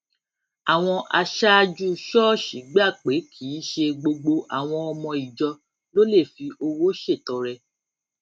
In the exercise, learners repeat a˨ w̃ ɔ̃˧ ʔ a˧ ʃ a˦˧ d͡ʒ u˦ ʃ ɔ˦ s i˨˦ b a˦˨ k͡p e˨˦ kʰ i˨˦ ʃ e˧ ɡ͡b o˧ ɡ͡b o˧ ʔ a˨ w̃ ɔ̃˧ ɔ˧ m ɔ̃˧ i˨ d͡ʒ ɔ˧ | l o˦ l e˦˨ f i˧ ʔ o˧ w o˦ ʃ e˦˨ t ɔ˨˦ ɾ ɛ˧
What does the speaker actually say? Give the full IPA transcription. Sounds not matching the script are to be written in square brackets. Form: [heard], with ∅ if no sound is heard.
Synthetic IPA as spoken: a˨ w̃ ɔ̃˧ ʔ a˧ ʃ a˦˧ d͡ʒ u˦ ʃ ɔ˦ [ʃ] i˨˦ [ɡ͡b] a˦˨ k͡p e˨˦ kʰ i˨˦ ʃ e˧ ɡ͡b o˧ ɡ͡b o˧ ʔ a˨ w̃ ɔ̃˧ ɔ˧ m ɔ̃˧ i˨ d͡ʒ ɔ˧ | l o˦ l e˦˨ f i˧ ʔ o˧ w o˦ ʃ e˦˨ t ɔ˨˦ ɾ ɛ˧